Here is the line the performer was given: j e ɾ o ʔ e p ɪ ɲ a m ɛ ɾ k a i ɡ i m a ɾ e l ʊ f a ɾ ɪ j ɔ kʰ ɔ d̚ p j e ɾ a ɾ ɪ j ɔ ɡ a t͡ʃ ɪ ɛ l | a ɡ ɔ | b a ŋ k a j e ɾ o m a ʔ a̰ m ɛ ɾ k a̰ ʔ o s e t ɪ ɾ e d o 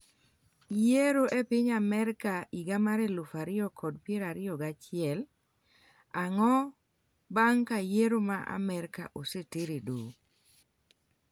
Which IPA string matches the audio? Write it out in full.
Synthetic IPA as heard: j e ɾ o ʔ e p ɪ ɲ a m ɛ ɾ k a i ɡ a m a ɾ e l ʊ f a ɾ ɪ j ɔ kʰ ɔ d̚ p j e ɾ a ɾ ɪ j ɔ ɡ a t͡ʃ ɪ ɛ l | a ŋ ɔ | b a ŋ k a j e ɾ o m a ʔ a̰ m ɛ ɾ k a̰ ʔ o s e t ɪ ɾ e d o